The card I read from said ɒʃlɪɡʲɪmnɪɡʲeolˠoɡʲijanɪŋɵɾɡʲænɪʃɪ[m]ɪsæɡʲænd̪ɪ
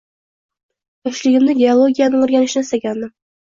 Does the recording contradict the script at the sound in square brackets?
yes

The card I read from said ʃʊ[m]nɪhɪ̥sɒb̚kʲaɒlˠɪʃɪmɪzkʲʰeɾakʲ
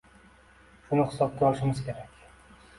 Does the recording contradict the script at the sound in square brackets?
yes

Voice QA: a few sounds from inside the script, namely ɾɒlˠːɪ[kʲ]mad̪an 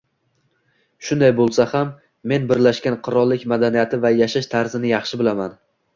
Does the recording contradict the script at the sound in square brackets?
no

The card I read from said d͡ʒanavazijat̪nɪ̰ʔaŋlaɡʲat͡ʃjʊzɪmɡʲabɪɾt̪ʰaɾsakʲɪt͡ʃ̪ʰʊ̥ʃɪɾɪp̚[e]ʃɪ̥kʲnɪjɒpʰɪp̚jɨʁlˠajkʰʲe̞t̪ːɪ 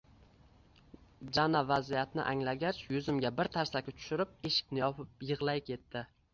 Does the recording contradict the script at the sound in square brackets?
no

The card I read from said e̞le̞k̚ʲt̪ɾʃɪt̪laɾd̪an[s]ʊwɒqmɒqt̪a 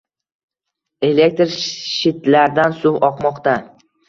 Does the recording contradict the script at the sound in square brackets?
no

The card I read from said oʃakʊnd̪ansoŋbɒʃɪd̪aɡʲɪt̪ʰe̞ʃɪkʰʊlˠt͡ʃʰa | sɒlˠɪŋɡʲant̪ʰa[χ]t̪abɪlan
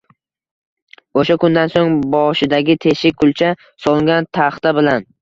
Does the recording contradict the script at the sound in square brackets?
no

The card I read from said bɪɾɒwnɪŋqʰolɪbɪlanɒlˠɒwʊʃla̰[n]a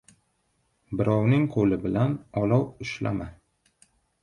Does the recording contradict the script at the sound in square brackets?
yes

